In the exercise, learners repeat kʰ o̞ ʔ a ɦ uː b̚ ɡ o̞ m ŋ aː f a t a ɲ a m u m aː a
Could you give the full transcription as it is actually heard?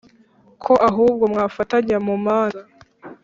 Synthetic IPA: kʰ o̞ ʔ a ɦ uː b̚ ɡ o̞ m ŋ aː f a t a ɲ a m u m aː a